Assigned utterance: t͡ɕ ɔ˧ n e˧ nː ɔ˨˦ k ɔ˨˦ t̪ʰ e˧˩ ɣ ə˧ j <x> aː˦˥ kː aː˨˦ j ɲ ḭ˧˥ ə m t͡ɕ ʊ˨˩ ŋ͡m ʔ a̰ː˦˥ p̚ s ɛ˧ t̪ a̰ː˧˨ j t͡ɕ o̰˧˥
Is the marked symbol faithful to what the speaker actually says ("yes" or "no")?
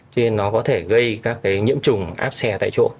no